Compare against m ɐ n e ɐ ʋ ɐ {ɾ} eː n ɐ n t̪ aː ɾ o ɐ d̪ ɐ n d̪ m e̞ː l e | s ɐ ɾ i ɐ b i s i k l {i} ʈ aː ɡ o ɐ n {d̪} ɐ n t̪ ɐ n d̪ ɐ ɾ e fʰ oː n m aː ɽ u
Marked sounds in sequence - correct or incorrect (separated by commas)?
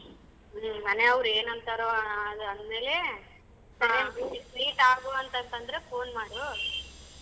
correct, incorrect, incorrect